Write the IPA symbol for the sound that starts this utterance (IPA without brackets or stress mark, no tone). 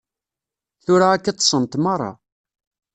θ